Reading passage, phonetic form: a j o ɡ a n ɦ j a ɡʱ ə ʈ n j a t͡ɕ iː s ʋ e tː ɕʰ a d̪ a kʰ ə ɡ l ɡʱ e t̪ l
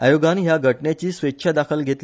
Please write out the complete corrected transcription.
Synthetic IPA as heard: a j o ɡ a n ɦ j a ɡʱ ə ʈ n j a t͡ɕ iː s ʋ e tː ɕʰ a d̪ a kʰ ə l ɡʱ e t̪ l